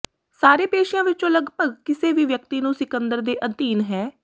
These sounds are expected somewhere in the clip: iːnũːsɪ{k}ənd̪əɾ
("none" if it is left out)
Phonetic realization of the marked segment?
k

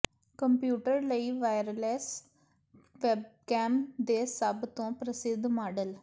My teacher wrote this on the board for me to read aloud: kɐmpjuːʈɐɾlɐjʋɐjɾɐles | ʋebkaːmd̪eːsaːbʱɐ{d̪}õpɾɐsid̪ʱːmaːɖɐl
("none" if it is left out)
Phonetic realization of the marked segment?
t̪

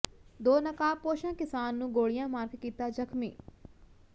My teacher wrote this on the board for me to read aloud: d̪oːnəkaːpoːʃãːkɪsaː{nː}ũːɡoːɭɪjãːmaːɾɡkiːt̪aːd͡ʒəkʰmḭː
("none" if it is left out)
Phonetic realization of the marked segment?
nː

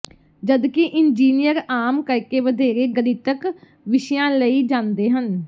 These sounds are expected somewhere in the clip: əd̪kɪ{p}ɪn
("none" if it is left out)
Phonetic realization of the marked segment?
ʔ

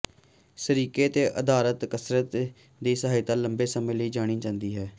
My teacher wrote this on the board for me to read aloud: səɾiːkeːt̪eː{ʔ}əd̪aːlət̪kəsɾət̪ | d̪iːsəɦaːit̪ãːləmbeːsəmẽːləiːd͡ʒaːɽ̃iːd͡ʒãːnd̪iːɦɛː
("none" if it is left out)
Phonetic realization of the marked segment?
ʔ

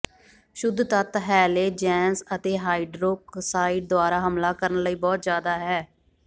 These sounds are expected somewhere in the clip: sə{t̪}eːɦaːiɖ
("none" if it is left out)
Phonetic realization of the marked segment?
t̪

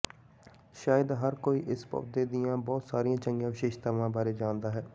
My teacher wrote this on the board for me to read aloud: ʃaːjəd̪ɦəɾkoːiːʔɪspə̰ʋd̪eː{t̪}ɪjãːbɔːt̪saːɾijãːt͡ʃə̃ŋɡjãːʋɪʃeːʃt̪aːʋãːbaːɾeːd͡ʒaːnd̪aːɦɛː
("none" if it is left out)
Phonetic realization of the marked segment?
d̪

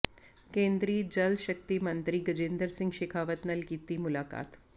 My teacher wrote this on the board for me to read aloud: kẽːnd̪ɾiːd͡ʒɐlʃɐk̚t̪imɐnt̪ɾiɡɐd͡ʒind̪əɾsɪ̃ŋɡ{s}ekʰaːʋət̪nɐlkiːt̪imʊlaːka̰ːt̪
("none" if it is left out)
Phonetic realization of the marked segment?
ʃ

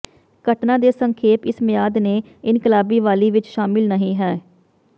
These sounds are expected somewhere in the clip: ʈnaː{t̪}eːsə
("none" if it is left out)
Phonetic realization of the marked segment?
d̪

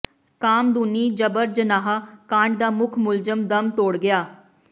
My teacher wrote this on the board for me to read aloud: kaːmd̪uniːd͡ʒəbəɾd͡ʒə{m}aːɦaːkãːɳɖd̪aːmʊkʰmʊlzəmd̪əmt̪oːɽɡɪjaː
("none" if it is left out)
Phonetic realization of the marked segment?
n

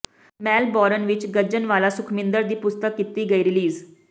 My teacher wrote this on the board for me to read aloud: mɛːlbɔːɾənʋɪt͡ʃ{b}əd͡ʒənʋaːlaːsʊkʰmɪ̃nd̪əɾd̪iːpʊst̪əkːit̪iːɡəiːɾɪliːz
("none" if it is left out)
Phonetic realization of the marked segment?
ɡ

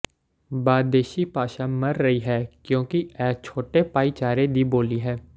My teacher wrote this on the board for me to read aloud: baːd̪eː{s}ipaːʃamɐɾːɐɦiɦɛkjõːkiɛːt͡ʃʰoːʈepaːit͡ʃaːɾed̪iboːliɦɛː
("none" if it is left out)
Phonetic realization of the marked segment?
ʃ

